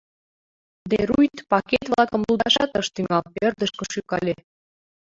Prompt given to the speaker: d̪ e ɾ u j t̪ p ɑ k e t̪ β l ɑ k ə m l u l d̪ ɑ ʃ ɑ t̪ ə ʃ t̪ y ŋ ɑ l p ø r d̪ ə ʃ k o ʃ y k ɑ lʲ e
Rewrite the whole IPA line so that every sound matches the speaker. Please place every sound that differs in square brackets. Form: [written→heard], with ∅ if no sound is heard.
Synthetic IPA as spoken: d̪ e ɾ u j t̪ p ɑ k e t̪ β l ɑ k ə m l u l d̪ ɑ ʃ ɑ t̪ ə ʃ t̪ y ŋ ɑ l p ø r d̪ ə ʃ k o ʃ y k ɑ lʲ e